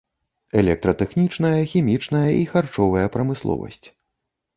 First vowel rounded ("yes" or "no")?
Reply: no